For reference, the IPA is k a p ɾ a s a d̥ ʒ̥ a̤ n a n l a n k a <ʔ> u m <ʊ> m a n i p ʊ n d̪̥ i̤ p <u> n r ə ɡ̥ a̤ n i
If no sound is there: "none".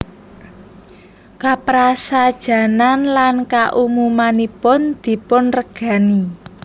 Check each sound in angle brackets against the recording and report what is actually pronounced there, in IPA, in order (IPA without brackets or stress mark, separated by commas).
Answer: ʔ, u, ʊ